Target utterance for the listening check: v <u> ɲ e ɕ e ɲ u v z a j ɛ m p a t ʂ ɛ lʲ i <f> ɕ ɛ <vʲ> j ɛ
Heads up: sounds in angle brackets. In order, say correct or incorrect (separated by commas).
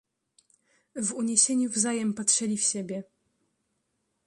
correct, correct, incorrect